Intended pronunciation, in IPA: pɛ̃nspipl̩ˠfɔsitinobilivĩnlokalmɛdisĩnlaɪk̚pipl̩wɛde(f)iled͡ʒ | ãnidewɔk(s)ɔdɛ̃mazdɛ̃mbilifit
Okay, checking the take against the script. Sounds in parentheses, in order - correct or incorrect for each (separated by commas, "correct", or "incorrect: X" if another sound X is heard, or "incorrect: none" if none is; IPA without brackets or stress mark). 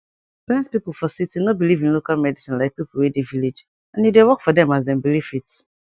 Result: incorrect: v, incorrect: f